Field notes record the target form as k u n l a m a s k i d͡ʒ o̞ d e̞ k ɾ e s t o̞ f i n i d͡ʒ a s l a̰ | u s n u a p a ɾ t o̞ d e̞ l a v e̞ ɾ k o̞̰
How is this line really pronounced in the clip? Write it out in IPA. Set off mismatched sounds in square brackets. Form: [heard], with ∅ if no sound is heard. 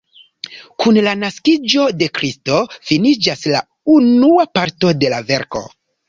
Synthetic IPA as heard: k u n l a [n] a s k i d͡ʒ o̞ d e̞ k ɾ [i] s t o̞ f i n i d͡ʒ a s l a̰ | u [∅] n u a p a ɾ t o̞ d e̞ l a v e̞ ɾ k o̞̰